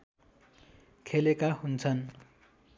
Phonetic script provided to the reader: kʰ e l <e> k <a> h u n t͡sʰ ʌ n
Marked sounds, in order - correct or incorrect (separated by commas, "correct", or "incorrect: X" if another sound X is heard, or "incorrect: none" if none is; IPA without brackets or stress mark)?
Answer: correct, correct